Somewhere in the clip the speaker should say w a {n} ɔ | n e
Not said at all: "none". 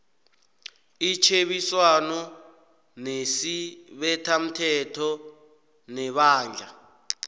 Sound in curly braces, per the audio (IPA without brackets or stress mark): n